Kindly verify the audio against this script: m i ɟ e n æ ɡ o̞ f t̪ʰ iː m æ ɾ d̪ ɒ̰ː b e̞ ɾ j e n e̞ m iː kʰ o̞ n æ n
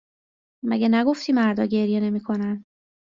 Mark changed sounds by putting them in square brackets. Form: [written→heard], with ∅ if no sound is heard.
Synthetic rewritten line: m [i→æ] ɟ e n æ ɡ o̞ f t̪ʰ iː m æ ɾ d̪ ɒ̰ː [b→ɟ] e̞ ɾ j e n e̞ m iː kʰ o̞ n æ n